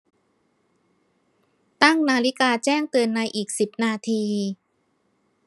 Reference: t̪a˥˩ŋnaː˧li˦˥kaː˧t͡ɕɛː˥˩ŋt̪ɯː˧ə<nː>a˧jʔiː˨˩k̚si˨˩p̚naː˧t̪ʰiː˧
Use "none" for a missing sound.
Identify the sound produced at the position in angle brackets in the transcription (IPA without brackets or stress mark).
nː